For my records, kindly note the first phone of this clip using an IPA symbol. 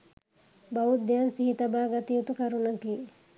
b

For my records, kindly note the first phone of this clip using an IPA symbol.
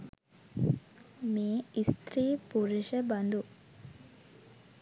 m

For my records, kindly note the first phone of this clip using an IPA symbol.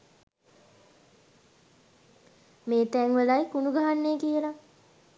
m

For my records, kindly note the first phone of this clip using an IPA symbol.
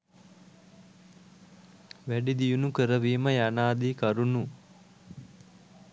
ʋ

